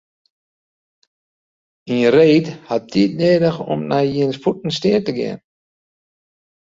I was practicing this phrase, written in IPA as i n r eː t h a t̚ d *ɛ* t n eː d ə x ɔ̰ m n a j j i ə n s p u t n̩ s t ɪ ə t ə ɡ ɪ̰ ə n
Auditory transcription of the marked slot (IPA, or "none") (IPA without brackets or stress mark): i